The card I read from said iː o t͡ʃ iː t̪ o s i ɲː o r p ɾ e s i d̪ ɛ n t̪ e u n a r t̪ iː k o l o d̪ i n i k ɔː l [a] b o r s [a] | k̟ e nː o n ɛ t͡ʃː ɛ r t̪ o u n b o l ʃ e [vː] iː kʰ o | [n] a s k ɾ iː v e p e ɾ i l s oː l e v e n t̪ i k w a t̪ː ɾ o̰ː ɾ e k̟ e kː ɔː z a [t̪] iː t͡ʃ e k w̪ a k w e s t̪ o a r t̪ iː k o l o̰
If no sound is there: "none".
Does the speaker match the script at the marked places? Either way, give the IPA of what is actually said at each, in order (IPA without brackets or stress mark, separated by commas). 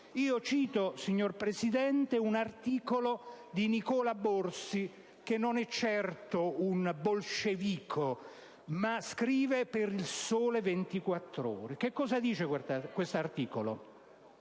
a, i, v, m, d̪